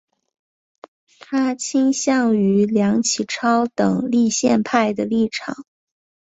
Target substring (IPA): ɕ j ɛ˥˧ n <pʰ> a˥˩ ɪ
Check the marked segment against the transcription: correct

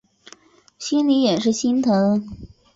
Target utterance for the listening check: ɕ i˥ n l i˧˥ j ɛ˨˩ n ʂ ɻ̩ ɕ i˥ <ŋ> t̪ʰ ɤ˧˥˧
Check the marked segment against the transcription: incorrect: n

